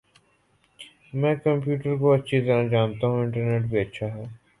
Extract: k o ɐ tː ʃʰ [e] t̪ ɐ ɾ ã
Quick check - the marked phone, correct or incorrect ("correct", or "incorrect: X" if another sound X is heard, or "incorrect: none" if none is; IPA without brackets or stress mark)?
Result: incorrect: i